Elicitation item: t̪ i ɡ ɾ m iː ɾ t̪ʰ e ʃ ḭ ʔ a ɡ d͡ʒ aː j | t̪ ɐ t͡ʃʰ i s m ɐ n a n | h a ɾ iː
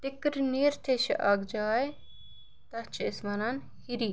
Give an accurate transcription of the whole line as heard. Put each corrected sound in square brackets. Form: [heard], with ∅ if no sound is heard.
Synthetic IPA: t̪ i [k] ɾ [n] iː ɾ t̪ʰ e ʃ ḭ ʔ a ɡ d͡ʒ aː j | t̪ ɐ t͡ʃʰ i s m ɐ n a n | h [i] ɾ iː